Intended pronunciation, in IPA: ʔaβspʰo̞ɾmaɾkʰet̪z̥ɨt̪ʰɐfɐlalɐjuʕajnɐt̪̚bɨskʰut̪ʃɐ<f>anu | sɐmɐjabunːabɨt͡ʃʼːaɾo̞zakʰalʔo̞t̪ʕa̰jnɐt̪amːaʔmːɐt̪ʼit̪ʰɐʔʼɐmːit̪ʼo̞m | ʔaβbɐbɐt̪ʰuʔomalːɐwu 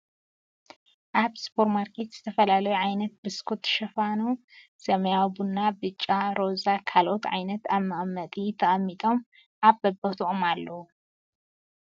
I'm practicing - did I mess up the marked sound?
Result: no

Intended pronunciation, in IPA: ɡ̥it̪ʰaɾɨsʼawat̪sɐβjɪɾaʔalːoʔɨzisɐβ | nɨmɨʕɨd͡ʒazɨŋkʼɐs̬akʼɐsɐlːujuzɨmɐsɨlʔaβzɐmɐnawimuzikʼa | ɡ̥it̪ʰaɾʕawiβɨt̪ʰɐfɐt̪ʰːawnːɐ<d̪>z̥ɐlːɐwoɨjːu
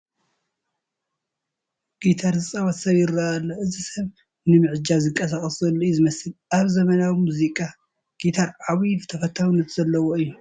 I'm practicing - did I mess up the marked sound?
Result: yes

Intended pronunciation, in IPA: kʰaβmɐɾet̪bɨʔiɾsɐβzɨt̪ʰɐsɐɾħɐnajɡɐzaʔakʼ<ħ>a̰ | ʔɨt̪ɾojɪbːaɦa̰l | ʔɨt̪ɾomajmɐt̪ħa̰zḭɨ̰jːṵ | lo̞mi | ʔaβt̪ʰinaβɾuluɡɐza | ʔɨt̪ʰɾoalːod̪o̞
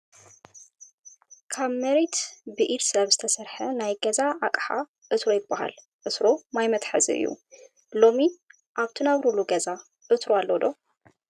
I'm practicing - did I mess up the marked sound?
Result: no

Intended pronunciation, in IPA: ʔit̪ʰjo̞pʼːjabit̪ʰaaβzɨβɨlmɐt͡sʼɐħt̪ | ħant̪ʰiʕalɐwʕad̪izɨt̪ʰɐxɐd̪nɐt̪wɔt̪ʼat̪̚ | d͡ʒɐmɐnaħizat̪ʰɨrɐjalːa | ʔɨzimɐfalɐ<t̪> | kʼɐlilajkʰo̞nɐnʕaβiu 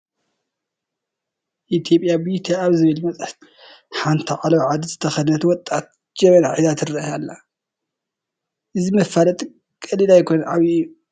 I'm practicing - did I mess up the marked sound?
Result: yes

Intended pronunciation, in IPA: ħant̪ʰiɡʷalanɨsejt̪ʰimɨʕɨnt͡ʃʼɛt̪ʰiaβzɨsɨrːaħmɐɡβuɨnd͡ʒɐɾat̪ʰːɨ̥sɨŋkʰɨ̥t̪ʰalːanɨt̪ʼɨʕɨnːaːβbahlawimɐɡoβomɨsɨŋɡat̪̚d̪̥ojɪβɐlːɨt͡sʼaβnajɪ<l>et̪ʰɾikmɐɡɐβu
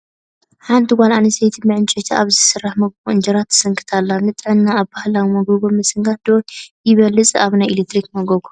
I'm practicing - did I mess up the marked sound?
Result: no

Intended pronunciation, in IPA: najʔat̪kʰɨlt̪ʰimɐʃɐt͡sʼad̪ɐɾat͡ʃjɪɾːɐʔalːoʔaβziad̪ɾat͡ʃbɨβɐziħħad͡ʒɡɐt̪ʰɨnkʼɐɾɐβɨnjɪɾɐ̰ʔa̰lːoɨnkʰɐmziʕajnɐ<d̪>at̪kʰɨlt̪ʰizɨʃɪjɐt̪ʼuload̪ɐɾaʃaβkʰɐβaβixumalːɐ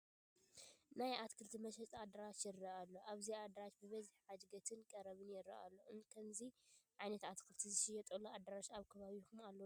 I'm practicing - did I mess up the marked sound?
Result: yes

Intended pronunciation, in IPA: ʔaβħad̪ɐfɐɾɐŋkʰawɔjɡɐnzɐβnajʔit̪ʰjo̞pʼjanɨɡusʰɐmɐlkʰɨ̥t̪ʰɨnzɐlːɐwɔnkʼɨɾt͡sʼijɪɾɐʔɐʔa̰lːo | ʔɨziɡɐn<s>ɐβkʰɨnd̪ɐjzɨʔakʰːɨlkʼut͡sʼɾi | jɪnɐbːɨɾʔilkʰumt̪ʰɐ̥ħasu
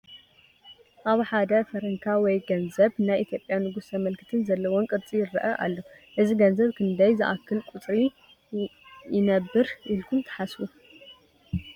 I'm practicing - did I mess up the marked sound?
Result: yes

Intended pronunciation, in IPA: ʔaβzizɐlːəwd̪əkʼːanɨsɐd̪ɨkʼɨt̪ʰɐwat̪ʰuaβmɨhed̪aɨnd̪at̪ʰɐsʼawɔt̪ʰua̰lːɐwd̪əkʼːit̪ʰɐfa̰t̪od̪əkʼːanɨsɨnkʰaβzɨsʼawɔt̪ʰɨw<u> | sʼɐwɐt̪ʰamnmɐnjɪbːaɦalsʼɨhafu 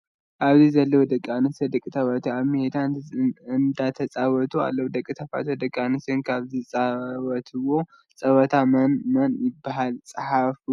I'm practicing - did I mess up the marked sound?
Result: yes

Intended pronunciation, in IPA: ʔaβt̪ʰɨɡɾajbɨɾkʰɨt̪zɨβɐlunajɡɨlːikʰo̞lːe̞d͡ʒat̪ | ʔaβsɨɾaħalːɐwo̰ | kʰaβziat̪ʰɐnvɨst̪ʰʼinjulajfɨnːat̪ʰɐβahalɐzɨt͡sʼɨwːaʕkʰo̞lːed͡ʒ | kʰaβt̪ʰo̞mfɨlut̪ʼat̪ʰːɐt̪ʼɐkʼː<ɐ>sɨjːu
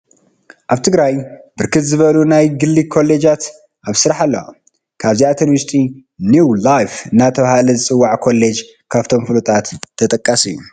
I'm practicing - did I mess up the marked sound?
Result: yes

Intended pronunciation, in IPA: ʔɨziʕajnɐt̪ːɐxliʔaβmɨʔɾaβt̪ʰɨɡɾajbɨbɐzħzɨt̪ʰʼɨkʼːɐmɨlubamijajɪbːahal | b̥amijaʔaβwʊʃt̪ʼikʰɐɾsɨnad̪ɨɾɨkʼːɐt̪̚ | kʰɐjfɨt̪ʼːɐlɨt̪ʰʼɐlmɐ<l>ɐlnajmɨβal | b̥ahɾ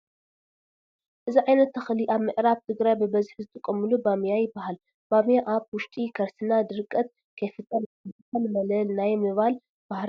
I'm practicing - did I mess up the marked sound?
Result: no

